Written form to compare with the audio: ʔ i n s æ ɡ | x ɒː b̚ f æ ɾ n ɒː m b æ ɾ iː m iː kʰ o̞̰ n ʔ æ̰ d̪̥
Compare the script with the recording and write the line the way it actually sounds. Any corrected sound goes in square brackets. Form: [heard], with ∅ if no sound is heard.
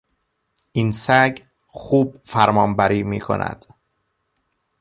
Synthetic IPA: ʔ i n s æ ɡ | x [uː] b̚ f æ ɾ [m] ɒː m b æ ɾ iː m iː kʰ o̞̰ n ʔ æ̰ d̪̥